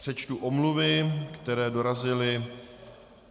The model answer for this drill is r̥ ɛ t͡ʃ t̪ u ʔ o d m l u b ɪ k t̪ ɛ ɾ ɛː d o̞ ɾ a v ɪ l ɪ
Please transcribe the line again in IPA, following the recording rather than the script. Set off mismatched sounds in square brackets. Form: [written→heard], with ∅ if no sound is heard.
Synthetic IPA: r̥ ɛ t͡ʃ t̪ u ʔ o [d→∅] m l u [b→v] ɪ k t̪ ɛ ɾ ɛː d o̞ ɾ a [v→z] ɪ l ɪ